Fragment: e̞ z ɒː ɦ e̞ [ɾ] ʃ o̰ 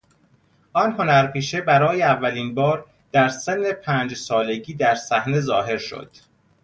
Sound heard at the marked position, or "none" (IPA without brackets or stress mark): ɾ